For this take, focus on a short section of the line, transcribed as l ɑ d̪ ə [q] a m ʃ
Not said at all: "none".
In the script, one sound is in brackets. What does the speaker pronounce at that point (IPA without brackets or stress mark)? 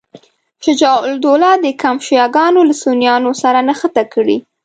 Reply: k